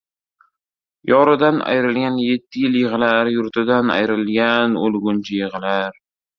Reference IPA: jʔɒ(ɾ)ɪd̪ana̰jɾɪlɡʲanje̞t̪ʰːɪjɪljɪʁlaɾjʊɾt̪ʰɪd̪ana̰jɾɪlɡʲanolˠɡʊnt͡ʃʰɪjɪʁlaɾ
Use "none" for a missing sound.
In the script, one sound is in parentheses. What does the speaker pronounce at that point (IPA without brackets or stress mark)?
ɾ